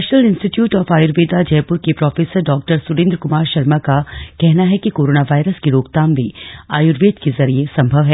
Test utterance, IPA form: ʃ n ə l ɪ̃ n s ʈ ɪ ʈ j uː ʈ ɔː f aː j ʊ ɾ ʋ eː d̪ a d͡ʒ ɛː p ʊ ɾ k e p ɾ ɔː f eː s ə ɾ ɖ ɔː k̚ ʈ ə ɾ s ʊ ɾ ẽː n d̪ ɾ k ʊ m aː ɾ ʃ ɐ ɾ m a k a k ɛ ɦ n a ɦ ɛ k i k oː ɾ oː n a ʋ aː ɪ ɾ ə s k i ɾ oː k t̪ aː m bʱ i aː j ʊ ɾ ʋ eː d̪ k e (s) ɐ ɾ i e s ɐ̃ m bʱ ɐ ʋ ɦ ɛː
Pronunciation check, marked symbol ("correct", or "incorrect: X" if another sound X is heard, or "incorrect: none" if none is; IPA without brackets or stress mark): incorrect: z